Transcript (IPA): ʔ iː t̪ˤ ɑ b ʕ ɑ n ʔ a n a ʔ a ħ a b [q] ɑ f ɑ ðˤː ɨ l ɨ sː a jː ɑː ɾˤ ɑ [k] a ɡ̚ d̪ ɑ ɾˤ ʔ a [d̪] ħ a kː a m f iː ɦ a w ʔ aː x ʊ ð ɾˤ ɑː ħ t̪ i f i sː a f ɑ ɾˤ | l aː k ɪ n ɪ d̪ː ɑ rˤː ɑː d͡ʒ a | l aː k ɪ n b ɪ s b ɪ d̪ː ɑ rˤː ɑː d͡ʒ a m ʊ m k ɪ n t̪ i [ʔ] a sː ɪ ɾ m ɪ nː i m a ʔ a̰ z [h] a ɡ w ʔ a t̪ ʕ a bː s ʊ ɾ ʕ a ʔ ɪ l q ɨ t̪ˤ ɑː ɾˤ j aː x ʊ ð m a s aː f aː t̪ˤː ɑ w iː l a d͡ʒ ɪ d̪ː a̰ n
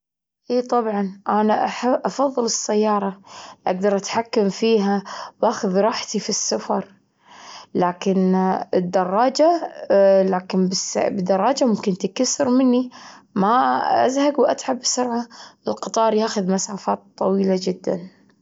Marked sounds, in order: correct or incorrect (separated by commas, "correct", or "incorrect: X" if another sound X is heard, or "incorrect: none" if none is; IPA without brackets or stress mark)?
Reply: incorrect: ʔ, incorrect: ʔ, incorrect: t̪, incorrect: k, correct